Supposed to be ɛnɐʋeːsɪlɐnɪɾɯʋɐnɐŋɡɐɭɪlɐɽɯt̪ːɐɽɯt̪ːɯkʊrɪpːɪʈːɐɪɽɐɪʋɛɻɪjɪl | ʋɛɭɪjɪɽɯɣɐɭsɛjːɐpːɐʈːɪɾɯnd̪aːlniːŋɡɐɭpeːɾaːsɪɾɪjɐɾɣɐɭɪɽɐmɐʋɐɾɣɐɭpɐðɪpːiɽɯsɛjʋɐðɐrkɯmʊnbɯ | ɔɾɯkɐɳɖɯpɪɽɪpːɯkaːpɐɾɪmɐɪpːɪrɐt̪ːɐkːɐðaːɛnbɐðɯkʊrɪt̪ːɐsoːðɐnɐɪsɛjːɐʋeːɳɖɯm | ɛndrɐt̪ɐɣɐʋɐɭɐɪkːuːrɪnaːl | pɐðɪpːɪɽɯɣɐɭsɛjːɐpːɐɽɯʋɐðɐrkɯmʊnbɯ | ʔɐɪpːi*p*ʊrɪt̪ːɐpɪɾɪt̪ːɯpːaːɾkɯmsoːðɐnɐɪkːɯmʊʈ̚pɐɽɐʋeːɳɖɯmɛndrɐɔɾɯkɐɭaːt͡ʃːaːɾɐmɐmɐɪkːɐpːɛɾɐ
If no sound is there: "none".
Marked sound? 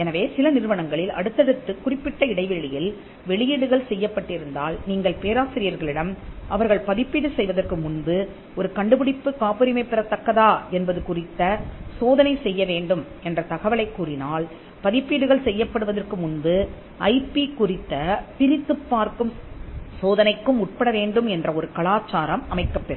k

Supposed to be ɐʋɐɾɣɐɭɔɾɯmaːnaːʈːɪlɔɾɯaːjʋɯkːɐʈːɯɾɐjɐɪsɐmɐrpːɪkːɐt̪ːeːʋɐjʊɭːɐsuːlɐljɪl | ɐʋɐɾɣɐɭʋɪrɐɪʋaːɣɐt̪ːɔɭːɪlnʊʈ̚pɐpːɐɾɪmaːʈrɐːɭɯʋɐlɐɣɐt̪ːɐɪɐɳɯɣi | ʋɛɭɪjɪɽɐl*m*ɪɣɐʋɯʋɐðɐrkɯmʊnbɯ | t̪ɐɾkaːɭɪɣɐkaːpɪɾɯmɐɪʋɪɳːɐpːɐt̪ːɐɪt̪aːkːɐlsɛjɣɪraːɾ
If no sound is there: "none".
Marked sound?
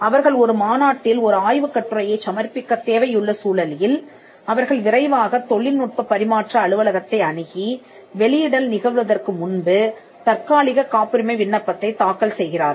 n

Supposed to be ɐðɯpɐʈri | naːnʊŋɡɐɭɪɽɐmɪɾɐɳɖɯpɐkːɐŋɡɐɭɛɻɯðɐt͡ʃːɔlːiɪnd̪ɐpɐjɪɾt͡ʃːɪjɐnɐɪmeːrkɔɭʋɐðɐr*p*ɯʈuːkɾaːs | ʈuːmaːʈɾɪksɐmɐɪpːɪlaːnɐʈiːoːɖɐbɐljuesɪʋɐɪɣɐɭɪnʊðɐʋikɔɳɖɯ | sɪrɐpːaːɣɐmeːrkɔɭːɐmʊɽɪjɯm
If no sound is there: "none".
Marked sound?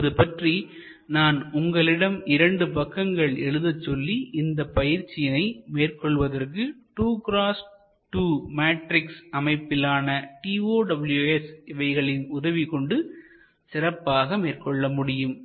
k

